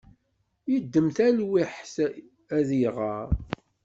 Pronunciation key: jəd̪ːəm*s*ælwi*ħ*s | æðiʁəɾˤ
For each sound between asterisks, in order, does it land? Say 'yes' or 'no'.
no, yes

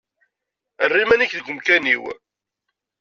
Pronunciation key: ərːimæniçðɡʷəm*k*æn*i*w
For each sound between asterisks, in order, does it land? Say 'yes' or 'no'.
yes, yes

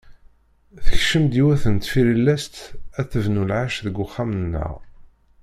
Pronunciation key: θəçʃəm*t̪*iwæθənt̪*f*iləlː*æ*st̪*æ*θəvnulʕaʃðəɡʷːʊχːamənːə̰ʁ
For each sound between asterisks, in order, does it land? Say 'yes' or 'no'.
no, yes, yes, yes

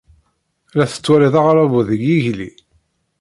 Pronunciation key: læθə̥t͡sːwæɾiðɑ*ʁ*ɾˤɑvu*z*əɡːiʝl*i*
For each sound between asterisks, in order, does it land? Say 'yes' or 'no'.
yes, no, yes

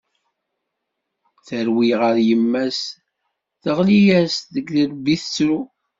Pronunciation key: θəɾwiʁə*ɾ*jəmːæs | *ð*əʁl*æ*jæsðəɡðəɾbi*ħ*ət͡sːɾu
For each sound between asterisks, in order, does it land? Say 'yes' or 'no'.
yes, no, no, no

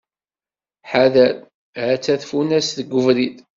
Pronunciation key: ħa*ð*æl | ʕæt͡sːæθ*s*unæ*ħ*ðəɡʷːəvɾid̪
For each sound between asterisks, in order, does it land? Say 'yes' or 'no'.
yes, no, no

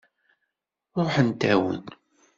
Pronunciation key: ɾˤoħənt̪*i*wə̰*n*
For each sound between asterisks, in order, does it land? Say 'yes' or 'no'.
no, yes

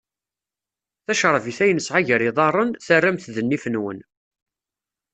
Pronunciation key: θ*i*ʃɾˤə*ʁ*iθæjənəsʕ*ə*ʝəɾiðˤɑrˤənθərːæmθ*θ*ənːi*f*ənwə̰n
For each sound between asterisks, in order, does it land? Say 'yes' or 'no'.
no, no, no, no, yes

